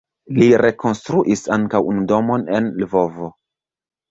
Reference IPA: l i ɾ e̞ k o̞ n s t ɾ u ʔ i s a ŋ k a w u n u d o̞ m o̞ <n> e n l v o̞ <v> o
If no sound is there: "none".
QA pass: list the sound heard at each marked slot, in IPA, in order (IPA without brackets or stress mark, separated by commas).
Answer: n, v